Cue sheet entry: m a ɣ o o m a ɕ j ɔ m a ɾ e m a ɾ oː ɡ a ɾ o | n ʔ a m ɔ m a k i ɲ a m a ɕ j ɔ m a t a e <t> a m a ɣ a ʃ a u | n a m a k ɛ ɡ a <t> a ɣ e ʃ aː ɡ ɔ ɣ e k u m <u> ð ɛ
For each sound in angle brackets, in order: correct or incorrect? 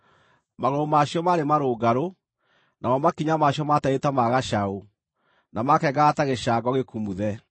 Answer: correct, correct, correct

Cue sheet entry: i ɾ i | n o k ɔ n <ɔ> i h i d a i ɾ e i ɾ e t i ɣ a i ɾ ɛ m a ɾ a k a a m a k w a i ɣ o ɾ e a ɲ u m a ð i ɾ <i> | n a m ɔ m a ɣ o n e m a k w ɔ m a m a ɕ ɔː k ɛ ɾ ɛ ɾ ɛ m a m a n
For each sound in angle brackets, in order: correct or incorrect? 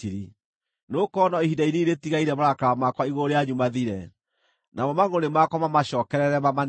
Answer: correct, incorrect: ɛ

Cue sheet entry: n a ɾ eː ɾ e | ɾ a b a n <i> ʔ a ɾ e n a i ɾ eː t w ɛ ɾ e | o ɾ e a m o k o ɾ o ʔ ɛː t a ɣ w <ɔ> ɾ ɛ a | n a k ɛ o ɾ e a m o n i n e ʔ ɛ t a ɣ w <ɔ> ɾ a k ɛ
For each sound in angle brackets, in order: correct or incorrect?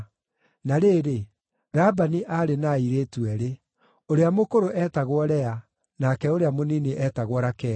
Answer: correct, correct, correct

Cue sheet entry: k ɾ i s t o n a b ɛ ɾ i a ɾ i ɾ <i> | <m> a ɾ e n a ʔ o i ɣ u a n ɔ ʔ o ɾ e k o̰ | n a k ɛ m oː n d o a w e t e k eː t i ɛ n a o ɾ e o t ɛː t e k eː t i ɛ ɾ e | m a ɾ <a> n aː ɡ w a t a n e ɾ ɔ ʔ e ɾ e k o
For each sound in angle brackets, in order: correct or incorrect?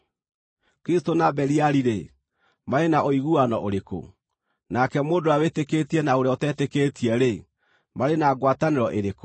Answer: incorrect: e, correct, incorrect: e

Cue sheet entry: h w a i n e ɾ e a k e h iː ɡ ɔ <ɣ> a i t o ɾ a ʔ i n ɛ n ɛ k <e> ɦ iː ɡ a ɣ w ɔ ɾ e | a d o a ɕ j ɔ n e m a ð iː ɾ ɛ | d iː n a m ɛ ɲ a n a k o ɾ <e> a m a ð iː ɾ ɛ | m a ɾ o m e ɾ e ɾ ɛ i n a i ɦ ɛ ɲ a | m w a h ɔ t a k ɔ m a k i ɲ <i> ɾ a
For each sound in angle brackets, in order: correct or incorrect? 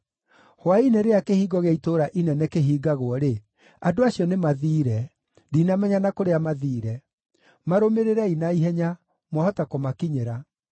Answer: correct, correct, correct, incorrect: e

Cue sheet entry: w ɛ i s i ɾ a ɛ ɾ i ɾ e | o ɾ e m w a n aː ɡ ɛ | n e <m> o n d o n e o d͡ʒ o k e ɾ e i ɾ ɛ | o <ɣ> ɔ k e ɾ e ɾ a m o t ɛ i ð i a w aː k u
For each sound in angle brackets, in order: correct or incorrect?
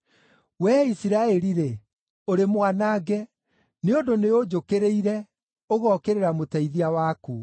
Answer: incorrect: none, correct

